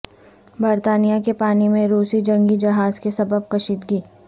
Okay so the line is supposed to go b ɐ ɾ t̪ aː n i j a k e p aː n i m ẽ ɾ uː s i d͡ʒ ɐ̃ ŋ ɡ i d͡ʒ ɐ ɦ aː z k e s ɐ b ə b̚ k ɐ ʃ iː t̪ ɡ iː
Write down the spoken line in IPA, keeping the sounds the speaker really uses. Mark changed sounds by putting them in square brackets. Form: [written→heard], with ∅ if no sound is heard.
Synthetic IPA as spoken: b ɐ ɾ t̪ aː n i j a k e p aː n i m ẽ ɾ uː s i d͡ʒ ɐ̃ ŋ ɡ i d͡ʒ ɐ ɦ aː z k e s ɐ b ə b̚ k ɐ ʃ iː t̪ ɡ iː

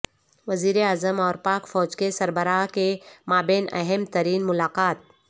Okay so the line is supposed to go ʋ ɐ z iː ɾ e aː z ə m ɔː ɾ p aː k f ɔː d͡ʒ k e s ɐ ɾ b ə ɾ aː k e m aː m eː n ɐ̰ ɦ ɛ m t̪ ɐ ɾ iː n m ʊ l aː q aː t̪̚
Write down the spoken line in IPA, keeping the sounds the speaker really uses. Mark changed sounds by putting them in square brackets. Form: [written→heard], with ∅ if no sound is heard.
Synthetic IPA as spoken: ʋ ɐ z iː ɾ e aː z ə m ɔː ɾ p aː k f ɔː d͡ʒ k e s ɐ ɾ b ə ɾ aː k e m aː [m→b] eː n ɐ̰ ɦ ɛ m t̪ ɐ ɾ iː n m ʊ l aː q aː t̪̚

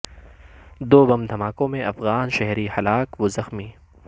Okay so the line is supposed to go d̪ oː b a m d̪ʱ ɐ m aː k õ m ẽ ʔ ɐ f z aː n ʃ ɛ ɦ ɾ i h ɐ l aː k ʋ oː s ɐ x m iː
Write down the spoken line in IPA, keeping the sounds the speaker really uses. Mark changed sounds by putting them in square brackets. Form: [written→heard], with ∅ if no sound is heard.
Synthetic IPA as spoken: d̪ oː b [a→ɐ] m d̪ʱ ɐ m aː k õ m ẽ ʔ ɐ f [z→ɣ] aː n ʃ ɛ ɦ ɾ i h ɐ l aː k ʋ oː [s→z] ɐ x m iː

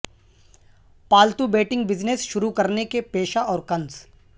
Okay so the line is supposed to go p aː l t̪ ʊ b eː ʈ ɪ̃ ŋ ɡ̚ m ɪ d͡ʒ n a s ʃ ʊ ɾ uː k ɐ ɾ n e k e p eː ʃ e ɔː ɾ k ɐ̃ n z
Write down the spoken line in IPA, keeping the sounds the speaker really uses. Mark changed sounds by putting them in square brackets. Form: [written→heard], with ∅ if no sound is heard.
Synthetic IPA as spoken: p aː l t̪ [ʊ→u] b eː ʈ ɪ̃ ŋ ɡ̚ [m→b] ɪ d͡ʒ n [a→e] s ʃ ʊ ɾ [uː→u] k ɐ ɾ n e k e p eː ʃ [e→a] ɔː ɾ k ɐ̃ n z

